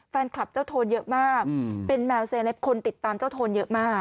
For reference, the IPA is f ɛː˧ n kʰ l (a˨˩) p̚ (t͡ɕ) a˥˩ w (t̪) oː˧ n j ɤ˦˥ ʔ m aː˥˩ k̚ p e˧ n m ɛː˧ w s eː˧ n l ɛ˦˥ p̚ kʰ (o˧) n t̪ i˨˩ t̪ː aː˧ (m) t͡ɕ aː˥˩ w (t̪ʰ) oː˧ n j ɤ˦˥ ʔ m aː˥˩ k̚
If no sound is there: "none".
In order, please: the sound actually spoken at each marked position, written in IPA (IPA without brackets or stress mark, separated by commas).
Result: a˨˩, t͡ɕ, t̪ʰ, o˧, m, t̪ʰ